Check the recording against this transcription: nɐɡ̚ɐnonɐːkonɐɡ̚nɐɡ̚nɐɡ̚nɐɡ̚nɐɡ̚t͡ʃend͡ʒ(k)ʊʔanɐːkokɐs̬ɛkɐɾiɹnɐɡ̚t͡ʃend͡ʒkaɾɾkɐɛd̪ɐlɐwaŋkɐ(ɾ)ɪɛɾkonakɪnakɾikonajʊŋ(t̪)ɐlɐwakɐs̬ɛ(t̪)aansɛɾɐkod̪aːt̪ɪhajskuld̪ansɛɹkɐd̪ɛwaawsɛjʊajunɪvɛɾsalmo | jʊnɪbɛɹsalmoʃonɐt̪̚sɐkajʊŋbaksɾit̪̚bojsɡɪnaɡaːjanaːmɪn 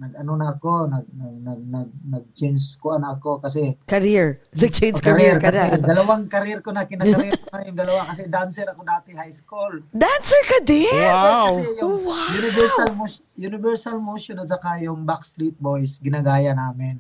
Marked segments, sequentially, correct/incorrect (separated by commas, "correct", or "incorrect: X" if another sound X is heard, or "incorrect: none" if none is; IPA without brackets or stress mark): correct, correct, incorrect: d̪, incorrect: d̪